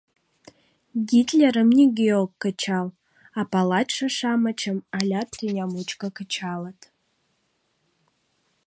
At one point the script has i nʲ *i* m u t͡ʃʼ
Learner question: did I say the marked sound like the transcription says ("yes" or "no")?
no